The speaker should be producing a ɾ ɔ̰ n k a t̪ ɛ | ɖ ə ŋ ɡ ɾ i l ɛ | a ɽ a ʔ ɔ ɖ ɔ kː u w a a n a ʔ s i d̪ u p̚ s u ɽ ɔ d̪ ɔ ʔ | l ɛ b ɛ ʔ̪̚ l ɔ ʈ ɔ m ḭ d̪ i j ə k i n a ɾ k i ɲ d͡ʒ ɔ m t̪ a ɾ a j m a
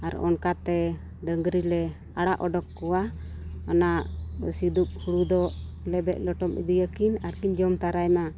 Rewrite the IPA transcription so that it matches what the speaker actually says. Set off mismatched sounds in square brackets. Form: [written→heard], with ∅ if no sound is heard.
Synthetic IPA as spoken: a ɾ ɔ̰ n k a t̪ ɛ | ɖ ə ŋ ɡ ɾ i l ɛ | a ɽ a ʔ ɔ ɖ ɔ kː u w a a n a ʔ s i d̪ u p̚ [s→h] u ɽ [ɔ→u] d̪ ɔ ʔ | l ɛ b ɛ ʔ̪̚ l ɔ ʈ ɔ m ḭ d̪ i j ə k i n a ɾ k i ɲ d͡ʒ ɔ m t̪ a ɾ a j m a